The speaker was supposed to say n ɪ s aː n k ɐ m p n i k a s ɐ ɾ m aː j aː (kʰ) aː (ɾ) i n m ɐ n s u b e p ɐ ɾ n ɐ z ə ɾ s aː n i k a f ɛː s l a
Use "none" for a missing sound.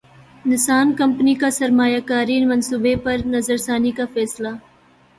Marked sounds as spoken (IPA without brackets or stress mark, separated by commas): k, ɾ